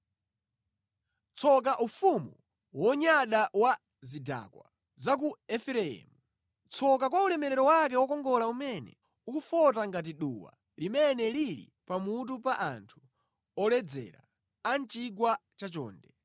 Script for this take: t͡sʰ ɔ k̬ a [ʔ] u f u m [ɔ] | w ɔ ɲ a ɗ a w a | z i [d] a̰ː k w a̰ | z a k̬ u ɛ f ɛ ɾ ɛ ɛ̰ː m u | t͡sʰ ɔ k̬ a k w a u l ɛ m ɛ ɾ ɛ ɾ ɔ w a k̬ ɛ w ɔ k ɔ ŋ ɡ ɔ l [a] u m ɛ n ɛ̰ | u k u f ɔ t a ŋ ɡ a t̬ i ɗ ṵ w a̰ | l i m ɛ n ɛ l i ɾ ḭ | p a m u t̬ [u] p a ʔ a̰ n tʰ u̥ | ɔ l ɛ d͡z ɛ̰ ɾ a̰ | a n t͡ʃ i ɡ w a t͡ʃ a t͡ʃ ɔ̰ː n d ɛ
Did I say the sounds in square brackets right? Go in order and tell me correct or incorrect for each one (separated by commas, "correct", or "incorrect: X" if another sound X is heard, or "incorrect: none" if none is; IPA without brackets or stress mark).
correct, incorrect: u, correct, correct, correct